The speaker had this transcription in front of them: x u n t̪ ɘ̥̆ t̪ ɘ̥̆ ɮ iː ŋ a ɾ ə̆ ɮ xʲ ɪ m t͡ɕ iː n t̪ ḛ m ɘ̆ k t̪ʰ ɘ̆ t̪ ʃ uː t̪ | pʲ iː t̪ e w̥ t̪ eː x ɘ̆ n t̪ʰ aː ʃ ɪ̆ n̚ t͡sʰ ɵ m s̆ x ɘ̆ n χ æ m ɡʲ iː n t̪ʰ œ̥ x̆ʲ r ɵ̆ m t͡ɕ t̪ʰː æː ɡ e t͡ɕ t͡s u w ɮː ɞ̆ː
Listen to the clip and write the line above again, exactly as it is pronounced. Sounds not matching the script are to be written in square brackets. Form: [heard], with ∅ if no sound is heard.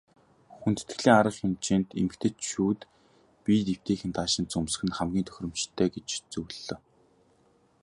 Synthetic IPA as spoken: x u n t̪ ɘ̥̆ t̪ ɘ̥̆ ɮ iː ŋ a ɾ ə̆ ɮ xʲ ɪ m t͡ɕ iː n t̪ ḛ m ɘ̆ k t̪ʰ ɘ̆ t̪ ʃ uː t̪ | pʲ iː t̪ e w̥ t̪ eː x ɘ̆ n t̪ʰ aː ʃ ɪ̆ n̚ [t͡s] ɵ m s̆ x ɘ̆ n χ æ m ɡʲ iː n t̪ʰ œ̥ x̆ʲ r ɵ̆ m t͡ɕ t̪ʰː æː ɡ e t͡ɕ t͡s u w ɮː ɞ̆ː